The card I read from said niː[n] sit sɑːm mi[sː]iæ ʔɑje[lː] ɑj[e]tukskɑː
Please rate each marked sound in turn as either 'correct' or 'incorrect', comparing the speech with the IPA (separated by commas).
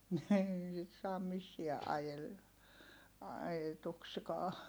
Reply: incorrect, correct, incorrect, correct